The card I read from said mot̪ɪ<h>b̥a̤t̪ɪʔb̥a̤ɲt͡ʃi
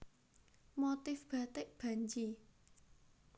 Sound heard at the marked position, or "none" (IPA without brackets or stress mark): f